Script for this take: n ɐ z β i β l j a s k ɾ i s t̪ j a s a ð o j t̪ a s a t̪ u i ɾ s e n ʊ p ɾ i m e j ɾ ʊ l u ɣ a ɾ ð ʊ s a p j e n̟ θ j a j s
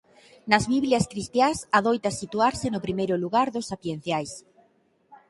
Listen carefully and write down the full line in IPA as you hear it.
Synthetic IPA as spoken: n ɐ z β i β l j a s k ɾ i s t̪ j a s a ð o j t̪ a s i t̪ u a ɾ s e n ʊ p ɾ i m e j ɾ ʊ l u ɣ a ɾ ð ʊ s a p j e n̟ θ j a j s